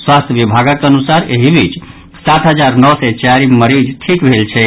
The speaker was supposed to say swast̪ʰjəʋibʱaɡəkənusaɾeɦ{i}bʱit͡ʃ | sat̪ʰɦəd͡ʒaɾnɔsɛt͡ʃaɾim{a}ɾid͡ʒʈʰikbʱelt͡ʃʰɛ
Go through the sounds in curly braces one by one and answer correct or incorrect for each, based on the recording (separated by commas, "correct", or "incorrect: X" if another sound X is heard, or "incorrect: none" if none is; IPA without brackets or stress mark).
correct, incorrect: ə